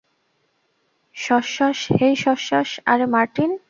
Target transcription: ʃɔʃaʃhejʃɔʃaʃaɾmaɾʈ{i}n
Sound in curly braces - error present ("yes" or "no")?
no